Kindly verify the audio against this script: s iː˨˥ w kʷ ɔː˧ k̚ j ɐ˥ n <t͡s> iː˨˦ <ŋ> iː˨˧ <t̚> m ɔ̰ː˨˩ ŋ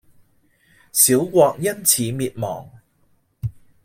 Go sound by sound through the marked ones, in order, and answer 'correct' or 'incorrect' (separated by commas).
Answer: incorrect, incorrect, correct